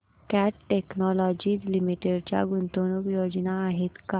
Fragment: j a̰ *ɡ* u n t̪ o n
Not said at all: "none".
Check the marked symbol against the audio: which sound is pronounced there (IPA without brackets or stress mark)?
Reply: ɡ